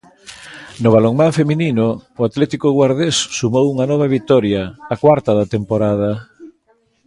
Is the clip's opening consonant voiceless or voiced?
voiced